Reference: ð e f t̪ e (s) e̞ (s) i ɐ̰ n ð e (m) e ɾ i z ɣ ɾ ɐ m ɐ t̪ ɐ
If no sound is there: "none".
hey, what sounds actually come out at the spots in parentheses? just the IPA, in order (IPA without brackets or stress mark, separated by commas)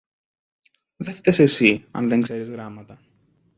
s, s, ŋ